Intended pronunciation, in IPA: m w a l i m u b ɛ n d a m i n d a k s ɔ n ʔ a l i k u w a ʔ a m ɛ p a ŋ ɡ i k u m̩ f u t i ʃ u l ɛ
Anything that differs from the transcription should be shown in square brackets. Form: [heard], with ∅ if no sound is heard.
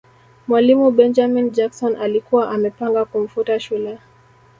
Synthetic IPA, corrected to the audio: m w a l i m u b ɛ n [d͡ʒ] a m i n [d͡ʒ] a k s ɔ n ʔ a l i k u w a ʔ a m ɛ p a ŋ ɡ [a] k u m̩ f u t [a] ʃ u l ɛ